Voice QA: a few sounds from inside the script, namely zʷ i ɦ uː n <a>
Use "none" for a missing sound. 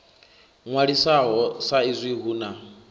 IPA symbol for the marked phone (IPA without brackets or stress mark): a